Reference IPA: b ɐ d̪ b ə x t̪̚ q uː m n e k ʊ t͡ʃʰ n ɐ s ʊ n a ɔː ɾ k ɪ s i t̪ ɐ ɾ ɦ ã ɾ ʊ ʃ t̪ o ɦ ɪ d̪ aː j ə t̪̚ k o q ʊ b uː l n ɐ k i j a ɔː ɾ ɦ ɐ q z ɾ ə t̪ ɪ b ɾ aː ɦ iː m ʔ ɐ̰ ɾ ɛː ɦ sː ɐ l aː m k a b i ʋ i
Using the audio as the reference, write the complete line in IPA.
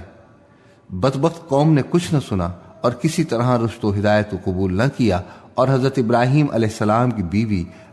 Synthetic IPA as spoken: b ɐ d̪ b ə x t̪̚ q ɔː m n e k ʊ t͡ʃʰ n ɐ s ʊ n a ɔː ɾ k ɪ s i t̪ ɐ ɾ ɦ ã ɾ ʊ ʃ t̪ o ɦ ɪ d̪ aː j ə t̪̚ k o q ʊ b uː l n ɐ k i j a ɔː ɾ ɦ ɐ z ɾ ə t̪ ɪ b ɾ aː ɦ iː m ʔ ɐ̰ l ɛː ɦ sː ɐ l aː m k i b iː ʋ i